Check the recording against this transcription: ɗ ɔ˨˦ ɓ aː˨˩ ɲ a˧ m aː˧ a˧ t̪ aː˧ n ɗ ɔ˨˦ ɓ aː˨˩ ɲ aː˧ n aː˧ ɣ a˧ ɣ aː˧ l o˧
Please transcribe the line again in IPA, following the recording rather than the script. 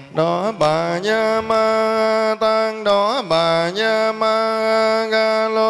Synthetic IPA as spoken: ɗ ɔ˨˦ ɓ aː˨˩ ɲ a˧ m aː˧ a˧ t̪ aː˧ ŋ ɗ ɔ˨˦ ɓ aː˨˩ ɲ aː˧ m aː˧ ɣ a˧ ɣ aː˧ l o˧